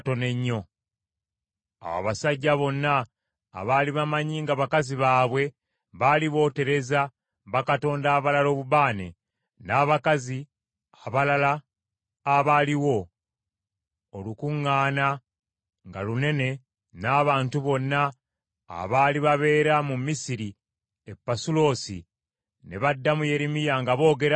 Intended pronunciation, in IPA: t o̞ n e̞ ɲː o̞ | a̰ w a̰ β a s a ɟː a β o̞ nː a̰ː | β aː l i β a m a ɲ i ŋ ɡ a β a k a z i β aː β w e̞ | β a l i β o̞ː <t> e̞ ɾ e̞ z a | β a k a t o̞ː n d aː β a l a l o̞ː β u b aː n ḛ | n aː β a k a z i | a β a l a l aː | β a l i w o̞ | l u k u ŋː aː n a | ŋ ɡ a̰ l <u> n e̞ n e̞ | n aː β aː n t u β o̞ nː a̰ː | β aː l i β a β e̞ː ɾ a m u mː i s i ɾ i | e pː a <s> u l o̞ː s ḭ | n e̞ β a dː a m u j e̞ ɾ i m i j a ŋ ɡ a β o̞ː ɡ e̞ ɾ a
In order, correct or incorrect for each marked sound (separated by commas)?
correct, correct, correct